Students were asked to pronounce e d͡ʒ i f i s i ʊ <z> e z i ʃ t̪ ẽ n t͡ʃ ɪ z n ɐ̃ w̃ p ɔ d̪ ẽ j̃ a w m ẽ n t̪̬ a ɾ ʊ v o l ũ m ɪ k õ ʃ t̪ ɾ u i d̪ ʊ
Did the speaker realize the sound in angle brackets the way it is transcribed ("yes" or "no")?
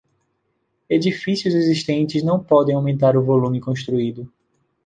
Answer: yes